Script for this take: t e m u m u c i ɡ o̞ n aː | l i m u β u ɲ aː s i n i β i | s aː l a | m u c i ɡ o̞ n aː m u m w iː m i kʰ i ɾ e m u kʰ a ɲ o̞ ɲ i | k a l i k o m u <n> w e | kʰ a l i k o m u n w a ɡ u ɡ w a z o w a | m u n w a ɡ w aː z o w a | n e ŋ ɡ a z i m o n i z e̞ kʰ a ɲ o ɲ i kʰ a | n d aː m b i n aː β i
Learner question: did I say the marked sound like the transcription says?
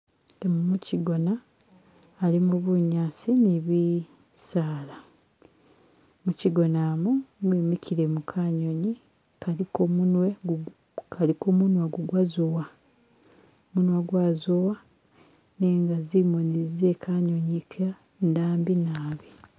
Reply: yes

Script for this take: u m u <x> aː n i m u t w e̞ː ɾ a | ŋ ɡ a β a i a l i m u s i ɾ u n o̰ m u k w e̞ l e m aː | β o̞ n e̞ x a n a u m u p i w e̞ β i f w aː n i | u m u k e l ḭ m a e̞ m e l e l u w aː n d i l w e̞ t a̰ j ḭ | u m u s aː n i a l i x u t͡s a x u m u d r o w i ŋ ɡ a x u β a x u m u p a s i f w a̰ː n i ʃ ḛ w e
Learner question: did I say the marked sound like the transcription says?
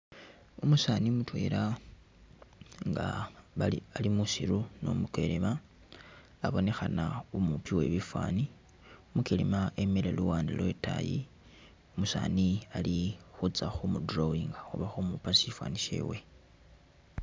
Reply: no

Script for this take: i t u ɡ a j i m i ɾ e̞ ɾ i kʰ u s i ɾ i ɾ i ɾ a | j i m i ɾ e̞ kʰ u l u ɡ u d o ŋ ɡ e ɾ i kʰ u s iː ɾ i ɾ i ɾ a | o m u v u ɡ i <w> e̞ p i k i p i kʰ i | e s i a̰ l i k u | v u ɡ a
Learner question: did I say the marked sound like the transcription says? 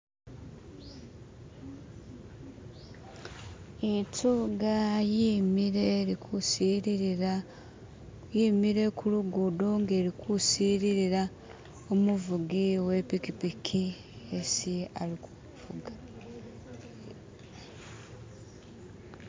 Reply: yes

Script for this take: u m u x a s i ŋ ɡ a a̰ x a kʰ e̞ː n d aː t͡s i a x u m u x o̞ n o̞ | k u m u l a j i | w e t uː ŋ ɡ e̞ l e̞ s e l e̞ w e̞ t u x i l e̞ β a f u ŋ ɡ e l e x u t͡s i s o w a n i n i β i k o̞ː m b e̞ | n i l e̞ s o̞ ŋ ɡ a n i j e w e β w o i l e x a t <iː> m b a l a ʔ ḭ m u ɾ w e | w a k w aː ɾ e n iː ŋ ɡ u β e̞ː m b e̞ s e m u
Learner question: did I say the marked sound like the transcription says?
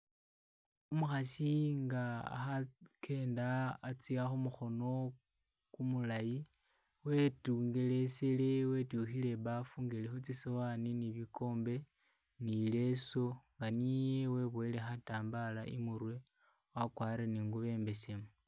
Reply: no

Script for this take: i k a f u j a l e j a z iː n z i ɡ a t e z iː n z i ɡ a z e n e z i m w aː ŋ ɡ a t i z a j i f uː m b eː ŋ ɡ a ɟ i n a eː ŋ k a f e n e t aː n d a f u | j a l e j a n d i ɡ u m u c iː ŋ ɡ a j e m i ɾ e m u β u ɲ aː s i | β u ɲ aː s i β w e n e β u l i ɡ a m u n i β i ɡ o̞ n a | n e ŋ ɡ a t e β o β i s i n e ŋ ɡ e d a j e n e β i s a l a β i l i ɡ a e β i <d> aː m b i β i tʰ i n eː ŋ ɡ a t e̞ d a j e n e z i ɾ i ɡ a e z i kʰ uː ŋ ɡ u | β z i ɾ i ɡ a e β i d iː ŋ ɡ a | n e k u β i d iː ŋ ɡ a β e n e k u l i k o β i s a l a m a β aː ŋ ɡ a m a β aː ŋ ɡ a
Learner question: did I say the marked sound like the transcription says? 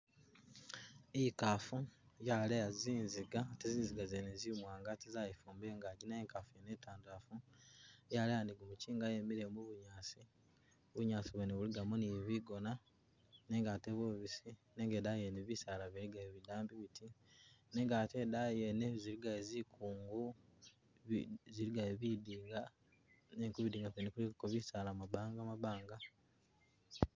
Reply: yes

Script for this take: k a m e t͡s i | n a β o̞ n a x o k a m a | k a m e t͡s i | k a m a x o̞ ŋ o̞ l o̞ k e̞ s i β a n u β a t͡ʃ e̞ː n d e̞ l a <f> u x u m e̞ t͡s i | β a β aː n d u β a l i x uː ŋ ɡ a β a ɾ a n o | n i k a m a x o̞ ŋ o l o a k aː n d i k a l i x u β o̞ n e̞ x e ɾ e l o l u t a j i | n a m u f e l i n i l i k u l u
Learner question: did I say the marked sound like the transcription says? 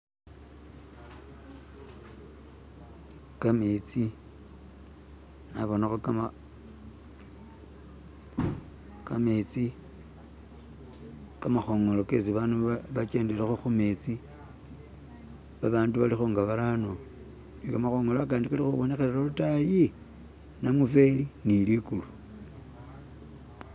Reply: no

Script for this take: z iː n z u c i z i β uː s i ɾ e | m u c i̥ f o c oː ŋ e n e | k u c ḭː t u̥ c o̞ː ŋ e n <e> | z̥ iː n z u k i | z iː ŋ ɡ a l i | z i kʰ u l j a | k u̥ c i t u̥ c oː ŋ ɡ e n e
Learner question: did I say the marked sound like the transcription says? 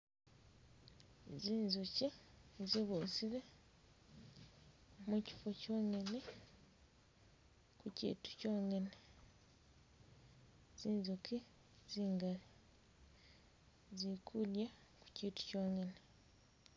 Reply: yes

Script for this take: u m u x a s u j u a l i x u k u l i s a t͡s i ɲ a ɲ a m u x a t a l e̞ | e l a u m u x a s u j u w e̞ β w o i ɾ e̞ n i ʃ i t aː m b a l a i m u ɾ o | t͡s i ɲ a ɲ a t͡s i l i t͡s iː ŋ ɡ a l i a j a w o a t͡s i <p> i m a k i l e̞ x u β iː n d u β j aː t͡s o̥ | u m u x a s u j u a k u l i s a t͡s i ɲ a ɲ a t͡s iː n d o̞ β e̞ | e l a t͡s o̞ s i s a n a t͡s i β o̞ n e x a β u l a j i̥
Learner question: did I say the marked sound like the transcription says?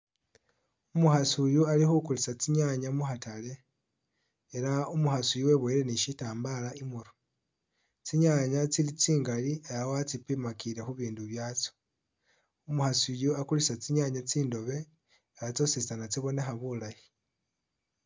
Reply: yes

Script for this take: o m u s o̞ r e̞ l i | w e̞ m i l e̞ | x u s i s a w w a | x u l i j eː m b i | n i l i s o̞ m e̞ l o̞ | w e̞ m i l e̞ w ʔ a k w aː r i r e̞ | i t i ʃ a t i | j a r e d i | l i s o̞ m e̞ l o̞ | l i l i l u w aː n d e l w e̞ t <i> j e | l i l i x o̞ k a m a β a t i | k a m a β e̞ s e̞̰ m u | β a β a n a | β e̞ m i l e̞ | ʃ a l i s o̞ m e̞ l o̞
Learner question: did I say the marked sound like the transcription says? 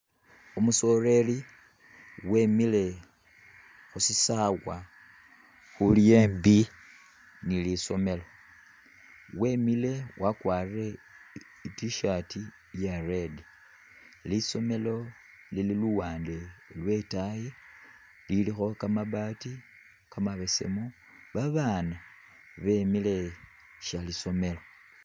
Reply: no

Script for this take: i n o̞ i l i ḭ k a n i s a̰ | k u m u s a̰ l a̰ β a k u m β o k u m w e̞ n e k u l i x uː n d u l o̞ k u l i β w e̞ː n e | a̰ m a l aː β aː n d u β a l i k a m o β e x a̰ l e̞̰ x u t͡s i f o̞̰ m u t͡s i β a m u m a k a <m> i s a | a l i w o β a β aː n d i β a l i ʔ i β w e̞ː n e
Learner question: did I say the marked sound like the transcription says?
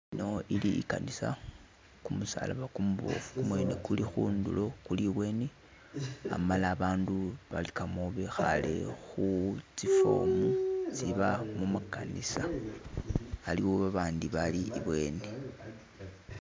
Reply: no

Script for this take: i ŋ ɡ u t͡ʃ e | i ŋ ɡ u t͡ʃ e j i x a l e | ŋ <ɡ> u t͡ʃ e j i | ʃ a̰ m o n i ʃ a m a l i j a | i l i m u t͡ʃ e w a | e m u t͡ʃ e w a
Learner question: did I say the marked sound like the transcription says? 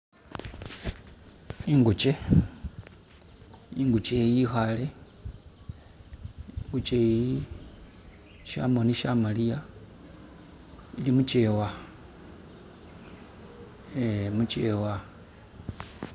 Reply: yes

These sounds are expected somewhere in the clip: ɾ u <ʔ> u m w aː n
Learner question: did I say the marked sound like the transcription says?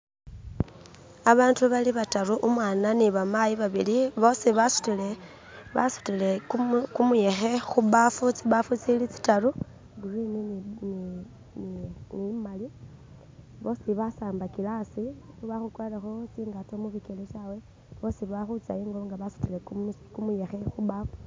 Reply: yes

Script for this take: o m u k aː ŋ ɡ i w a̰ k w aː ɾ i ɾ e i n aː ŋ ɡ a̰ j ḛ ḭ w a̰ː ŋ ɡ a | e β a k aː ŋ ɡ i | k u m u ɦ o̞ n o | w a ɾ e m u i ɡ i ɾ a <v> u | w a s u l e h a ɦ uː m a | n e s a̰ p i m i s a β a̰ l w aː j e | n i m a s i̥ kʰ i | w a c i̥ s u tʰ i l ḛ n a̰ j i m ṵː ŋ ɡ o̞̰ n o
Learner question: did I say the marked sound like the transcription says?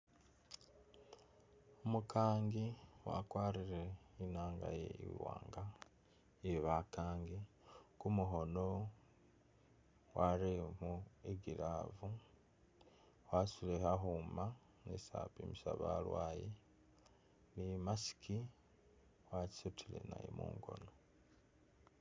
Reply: yes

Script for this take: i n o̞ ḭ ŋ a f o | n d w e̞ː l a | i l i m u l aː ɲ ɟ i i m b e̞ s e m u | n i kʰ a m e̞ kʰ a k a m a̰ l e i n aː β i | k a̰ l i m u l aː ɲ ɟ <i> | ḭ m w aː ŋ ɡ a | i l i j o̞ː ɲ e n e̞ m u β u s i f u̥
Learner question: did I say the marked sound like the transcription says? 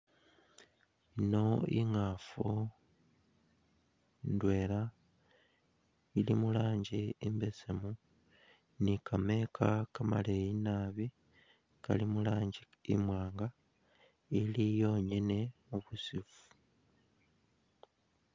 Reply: yes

